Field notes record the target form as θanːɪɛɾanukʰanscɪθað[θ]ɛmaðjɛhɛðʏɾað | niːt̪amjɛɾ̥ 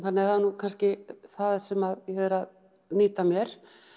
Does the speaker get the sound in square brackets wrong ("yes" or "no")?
yes